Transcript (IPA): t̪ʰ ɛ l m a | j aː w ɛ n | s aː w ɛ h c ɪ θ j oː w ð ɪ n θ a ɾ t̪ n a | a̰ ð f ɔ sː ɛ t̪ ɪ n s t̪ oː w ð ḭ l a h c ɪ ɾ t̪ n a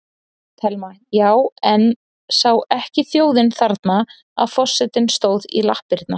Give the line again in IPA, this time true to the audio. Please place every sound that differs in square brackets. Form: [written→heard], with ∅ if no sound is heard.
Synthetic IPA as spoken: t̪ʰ ɛ l m a | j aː w ɛ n | s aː w ɛ h c ɪ θ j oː w ð ɪ n θ a ɾ t̪ n a | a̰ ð f ɔ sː ɛ t̪ ɪ n s t̪ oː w ð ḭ l a h [c→p] ɪ ɾ t̪ n a